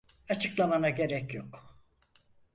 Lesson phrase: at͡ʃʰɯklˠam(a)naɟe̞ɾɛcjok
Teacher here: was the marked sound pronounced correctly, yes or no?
yes